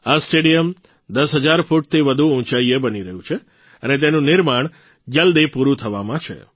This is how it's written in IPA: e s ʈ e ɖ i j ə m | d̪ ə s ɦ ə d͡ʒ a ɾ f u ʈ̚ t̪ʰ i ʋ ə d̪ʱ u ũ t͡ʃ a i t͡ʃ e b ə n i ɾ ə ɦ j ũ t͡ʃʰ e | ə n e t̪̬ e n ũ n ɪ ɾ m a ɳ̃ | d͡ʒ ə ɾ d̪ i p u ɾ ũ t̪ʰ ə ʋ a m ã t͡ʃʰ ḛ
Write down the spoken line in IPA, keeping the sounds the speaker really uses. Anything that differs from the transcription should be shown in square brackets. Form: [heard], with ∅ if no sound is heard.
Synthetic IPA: [a] s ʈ e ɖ i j ə m | d̪ ə s ɦ ə d͡ʒ a ɾ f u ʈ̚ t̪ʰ i ʋ ə d̪ʱ u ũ t͡ʃ a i [∅] e b ə n i ɾ ə ɦ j ũ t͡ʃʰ e | ə n e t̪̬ e n ũ n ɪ ɾ m a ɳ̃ | d͡ʒ ə [l] d̪ i p u ɾ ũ t̪ʰ ə ʋ a m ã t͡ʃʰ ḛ